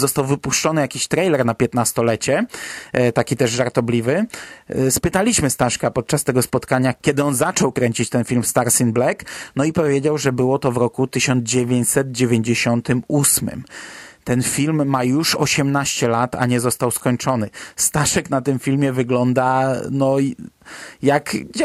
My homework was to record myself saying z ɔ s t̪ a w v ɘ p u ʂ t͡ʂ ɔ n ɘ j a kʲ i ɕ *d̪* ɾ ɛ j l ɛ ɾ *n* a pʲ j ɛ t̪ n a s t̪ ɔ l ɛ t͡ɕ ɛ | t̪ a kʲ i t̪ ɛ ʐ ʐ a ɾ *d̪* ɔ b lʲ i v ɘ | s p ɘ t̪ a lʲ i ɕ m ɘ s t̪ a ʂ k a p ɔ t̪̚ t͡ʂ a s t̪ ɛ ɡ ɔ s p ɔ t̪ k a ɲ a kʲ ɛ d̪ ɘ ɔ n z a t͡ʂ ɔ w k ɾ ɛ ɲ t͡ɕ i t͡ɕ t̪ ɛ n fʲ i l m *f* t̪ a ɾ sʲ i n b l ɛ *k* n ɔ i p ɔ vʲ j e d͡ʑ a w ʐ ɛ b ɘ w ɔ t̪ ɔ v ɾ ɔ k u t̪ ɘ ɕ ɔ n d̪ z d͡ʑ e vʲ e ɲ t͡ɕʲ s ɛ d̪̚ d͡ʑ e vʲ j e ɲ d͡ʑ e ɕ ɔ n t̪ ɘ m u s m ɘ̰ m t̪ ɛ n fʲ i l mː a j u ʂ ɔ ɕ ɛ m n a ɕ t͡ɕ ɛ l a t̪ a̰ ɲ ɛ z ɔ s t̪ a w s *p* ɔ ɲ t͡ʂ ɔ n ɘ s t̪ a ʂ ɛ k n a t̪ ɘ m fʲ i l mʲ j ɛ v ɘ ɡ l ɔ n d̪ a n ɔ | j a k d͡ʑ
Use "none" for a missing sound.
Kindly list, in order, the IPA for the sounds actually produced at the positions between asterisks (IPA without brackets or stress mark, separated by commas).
t̪, n, t̪, s, k, k